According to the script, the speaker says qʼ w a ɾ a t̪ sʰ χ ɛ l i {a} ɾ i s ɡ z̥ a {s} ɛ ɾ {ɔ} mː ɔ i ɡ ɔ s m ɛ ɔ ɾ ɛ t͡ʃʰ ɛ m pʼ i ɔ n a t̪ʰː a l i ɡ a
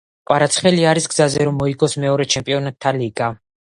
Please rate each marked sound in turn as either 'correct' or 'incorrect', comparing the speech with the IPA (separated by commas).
correct, incorrect, correct